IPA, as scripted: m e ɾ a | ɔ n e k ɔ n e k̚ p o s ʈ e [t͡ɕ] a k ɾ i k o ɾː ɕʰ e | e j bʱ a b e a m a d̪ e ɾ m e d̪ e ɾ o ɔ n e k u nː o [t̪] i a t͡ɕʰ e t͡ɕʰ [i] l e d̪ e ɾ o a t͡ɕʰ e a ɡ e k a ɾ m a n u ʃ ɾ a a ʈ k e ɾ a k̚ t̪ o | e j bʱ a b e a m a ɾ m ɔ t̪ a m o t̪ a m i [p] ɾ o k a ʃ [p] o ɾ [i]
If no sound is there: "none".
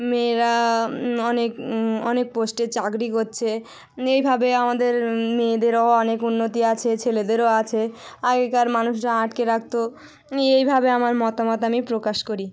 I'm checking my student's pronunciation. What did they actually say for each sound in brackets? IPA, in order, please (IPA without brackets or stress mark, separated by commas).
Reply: t͡ɕ, t̪, e, p, k, i